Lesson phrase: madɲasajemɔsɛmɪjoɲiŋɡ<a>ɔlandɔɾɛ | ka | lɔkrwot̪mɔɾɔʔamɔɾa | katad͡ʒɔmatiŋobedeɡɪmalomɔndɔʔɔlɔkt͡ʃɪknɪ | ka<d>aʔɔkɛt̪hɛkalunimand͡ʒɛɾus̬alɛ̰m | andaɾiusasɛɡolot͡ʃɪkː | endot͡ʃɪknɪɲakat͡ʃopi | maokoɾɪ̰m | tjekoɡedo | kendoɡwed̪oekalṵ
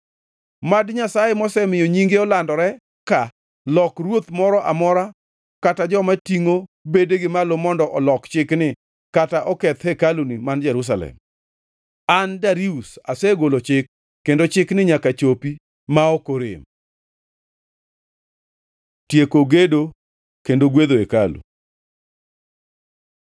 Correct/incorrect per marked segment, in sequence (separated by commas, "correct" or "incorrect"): incorrect, incorrect